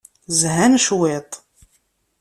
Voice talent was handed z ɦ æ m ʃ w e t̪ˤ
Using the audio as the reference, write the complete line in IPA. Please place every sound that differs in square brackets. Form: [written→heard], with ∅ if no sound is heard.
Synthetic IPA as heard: z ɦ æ [m→n] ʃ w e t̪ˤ